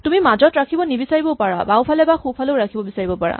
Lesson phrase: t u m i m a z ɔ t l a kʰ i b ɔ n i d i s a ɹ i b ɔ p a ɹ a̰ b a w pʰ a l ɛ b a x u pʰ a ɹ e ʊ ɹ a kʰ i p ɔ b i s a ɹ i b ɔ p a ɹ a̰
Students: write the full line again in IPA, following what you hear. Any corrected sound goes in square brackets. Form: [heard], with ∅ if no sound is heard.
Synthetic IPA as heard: t u m i m a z ɔ t [ɹ] a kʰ i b ɔ n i [b] i s a ɹ i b ɔ p a ɹ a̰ b a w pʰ a l ɛ b a x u pʰ a [l] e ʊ ɹ a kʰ i [b] ɔ b i s a ɹ i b ɔ p a ɹ a̰